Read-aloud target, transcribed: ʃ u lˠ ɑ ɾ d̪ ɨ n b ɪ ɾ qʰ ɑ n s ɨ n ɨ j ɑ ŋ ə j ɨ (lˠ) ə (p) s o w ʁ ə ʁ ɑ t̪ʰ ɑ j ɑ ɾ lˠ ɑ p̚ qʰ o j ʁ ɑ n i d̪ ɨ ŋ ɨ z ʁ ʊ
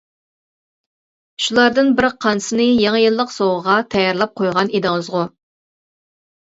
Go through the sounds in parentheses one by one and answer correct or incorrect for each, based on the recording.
incorrect: lˠː, incorrect: q

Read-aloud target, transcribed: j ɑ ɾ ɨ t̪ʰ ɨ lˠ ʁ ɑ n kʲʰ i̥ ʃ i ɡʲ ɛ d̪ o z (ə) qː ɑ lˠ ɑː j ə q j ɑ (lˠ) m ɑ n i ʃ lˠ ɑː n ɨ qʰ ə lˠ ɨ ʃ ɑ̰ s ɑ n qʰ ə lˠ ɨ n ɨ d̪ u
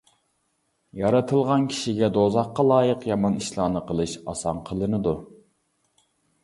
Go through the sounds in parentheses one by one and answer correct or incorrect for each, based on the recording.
incorrect: ɑ, incorrect: none

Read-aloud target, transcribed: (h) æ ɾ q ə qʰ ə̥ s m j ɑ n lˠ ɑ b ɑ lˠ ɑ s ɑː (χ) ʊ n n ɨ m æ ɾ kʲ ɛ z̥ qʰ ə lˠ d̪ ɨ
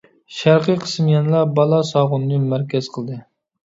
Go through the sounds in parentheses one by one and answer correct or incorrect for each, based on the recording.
incorrect: ʃ, incorrect: ʁ

